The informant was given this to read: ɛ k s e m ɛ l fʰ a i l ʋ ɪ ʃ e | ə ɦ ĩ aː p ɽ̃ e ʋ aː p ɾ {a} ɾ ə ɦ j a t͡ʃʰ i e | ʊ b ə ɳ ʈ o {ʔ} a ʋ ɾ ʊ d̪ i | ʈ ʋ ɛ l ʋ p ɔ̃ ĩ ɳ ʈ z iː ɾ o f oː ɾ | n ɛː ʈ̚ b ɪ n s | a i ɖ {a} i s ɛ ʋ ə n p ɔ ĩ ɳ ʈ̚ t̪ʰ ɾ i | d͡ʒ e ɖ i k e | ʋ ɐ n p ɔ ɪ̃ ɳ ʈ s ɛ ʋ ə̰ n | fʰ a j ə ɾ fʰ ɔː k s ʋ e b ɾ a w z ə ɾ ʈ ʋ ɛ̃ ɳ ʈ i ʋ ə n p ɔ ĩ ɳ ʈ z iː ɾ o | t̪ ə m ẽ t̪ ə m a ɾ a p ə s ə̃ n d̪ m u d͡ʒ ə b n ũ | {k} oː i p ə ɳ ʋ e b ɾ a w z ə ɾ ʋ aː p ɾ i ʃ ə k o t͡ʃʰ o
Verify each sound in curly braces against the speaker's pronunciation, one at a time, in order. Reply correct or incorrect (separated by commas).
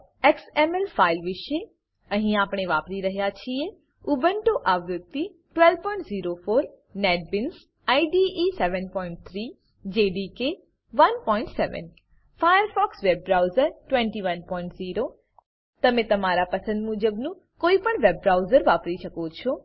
incorrect, correct, incorrect, correct